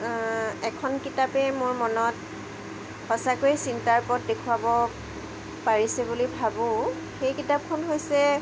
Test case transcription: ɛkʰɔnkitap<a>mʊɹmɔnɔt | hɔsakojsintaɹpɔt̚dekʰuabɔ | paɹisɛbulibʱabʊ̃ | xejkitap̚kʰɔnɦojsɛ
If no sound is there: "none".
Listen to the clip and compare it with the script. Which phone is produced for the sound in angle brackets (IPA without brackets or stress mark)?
ɛ